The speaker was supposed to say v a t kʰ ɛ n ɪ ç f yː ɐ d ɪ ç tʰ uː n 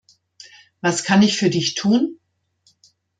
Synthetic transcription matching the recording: v a s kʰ a n ɪ ç f yː ɐ d ɪ ç tʰ uː n